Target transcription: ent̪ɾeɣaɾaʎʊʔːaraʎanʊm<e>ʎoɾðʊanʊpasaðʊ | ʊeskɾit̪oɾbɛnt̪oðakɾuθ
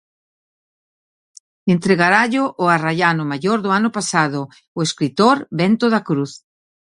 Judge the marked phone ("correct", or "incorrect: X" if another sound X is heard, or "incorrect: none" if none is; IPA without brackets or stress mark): incorrect: a